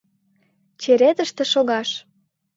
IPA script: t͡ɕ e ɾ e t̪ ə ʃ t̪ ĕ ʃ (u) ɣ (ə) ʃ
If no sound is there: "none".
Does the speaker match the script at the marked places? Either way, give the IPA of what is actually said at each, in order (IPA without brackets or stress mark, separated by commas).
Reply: o, ɑ